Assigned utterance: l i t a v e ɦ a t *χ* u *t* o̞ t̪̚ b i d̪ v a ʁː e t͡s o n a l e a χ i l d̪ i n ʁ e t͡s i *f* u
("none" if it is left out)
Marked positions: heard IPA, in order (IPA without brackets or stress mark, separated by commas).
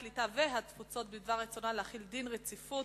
f, t͡s, f